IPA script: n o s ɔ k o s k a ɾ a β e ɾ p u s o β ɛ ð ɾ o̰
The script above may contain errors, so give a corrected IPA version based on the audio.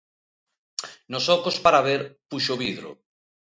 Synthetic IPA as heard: n o s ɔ k o s p a ɾ a β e ɾ p u ʃ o β i ð ɾ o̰